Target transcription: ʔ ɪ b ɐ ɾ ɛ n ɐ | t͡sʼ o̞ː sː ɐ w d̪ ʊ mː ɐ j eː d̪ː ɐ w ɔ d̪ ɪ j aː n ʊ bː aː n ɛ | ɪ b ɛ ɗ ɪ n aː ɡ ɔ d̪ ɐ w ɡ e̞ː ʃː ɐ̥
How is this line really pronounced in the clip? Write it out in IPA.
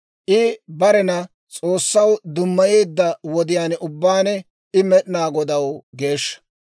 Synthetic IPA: ʔ ɪ b ɐ ɾ ɛ n ɐ | t͡sʼ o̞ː sː ɐ w d̪ ʊ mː ɐ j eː d̪ː ɐ w ɔ d̪ ɪ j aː n ʊ bː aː n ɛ | ɪ m ɛ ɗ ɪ n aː ɡ ɔ d̪ ɐ w ɡ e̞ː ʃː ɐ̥